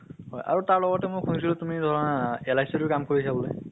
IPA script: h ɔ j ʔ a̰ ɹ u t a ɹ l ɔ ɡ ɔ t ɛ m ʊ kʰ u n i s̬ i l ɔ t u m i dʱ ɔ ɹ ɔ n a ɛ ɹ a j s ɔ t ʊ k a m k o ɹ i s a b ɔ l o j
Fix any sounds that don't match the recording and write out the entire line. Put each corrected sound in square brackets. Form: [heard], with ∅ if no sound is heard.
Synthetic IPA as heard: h ɔ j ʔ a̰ ɹ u t a ɹ l ɔ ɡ ɔ t ɛ m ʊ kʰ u n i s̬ i l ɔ t u m i dʱ ɔ ɹ ɔ n a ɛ [l] a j s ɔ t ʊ k a m k o ɹ i s a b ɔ l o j